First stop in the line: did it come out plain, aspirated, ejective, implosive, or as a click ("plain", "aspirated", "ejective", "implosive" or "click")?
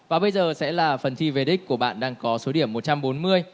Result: implosive